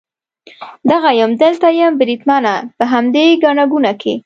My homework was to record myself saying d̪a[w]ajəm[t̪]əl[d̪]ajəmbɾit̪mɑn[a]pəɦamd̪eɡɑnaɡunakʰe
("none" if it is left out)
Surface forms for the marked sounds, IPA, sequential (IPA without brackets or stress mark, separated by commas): ɣ, d̪, t̪, a